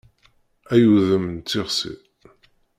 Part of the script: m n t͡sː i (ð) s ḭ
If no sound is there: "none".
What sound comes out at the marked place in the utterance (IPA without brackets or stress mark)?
ʁ